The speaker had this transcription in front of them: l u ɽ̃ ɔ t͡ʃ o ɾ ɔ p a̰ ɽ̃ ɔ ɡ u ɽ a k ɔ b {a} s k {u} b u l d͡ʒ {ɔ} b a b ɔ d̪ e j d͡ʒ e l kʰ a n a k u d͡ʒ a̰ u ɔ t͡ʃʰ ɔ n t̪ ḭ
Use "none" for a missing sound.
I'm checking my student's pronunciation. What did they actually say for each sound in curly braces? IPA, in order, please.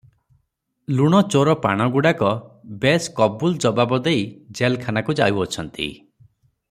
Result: e, ɔ, ɔ

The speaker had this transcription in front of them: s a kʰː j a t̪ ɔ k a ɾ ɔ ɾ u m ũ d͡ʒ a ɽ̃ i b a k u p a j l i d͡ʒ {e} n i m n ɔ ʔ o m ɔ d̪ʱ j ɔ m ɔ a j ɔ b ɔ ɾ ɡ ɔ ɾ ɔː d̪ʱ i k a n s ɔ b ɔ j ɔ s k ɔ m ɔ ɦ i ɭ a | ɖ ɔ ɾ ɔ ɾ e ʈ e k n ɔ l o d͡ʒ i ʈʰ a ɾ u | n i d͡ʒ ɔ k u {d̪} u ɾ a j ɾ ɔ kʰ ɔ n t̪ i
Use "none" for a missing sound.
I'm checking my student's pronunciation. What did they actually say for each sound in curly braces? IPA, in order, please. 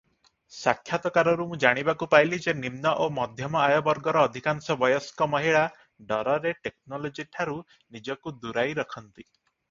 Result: e, d̪

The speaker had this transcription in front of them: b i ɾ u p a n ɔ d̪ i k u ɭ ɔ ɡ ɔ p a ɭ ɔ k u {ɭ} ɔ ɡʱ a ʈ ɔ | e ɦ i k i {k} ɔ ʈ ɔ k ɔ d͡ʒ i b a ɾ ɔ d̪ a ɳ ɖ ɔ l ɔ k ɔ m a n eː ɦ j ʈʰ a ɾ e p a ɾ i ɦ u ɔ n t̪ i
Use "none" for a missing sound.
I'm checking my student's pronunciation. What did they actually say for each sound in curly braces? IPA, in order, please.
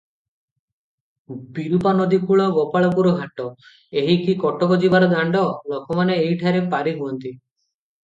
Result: ɾ, k

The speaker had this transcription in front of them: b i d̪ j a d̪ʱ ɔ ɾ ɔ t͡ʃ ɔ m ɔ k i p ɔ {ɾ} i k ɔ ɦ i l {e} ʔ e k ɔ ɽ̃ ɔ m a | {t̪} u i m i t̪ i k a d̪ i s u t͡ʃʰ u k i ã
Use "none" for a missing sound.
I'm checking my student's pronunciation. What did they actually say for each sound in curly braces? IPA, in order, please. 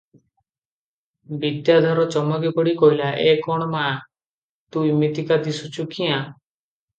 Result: ɽ, a, t̪

